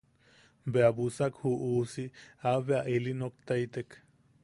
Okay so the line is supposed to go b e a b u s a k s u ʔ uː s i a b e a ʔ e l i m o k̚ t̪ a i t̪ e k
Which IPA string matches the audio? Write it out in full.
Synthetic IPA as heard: b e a b u s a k h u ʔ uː s i a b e a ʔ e l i n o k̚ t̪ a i t̪ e k

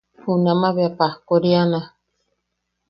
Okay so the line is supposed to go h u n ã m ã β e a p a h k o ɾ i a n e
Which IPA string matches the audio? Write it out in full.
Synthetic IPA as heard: h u n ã m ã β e a p a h k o ɾ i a n a

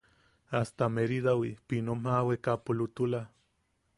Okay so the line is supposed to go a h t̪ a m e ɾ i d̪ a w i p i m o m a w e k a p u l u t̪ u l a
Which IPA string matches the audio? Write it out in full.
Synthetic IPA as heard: a s t̪ a m e ɾ i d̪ a w i p i n o m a w e k a p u l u t̪ u l a

